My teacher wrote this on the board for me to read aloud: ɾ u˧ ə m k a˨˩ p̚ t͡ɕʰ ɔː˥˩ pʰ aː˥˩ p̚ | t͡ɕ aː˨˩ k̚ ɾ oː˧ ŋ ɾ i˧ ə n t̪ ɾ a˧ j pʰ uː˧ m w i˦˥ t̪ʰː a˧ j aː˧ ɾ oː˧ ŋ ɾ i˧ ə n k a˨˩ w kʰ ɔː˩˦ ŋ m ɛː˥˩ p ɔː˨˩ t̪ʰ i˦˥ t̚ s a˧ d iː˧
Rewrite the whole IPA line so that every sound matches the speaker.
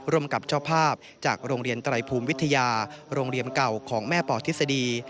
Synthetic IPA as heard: ɾ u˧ ə m k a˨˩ p̚ t͡ɕʰ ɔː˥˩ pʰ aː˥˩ p̚ | t͡ɕ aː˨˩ k̚ ɾ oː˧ ŋ ɾ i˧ ə n t̪ ɾ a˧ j pʰ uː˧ m w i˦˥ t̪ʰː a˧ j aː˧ ɾ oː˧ ŋ ɾ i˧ ə n k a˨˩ w kʰ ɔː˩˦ ŋ m ɛː˥˩ p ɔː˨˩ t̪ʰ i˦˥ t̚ s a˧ d iː˧